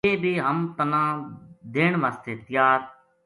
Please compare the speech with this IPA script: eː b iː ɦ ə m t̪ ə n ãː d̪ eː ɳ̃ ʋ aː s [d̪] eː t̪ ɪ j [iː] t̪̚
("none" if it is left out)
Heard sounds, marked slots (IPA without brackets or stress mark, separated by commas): t̪, aː